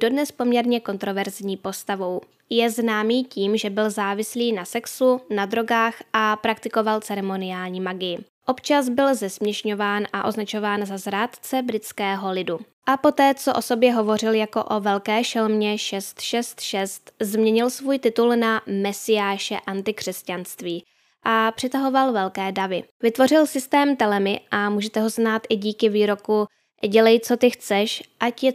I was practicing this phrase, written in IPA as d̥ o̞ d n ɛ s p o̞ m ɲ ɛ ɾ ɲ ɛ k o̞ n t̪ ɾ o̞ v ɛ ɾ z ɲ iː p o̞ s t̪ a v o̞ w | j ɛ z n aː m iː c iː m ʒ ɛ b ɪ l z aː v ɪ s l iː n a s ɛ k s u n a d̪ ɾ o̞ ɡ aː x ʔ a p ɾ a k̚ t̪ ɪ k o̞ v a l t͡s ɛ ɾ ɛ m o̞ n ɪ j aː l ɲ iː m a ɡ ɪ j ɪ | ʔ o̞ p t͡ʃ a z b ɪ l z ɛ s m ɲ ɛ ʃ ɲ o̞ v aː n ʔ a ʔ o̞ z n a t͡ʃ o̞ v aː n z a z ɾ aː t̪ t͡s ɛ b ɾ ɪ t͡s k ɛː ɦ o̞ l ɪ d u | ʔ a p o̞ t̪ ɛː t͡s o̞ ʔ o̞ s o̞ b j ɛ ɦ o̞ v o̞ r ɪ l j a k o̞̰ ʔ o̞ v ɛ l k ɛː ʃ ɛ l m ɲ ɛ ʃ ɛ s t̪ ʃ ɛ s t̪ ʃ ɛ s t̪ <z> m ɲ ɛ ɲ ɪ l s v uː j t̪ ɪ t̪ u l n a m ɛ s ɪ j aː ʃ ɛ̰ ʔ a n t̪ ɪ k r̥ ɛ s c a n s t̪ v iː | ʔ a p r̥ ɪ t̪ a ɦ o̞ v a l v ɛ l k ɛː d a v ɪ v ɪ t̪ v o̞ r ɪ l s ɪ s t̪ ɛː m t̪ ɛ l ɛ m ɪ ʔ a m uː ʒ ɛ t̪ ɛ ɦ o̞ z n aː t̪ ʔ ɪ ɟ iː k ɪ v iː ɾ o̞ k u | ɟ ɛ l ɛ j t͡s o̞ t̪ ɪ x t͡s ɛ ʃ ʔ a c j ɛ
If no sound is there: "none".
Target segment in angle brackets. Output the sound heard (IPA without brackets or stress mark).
z